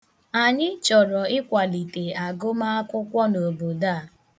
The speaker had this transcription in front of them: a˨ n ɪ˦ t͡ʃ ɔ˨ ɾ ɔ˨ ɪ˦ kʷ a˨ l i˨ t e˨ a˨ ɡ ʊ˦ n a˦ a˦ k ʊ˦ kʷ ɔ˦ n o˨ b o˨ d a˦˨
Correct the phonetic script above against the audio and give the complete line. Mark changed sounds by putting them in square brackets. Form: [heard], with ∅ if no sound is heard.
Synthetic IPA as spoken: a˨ [ɲ] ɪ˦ t͡ʃ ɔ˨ ɾ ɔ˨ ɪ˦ kʷ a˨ l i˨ t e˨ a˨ ɡ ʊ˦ [m] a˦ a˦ k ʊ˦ kʷ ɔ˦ n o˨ b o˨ d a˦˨